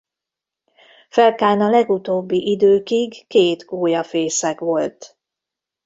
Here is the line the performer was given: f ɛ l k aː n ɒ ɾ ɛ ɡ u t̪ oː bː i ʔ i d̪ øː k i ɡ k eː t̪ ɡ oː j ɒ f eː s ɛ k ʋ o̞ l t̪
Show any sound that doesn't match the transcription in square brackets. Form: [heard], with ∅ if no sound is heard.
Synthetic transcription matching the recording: f ɛ l k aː n ɒ [l] ɛ ɡ u t̪ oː bː i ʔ i d̪ øː k i ɡ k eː t̪ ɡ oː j ɒ f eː s ɛ k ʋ o̞ l t̪